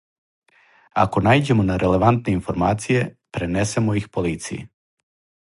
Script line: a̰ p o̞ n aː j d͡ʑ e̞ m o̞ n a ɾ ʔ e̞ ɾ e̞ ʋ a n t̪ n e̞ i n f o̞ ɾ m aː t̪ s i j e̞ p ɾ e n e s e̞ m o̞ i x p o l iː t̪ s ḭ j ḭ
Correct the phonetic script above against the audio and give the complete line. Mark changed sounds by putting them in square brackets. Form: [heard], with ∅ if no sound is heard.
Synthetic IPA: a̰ [k] o̞ n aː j d͡ʑ e̞ m o̞ n a ɾ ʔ e̞ [l] e̞ ʋ a n t̪ n e̞ i n f o̞ ɾ m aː t̪ s i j e̞ p ɾ e n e s e̞ m o̞ i x p o l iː t̪ s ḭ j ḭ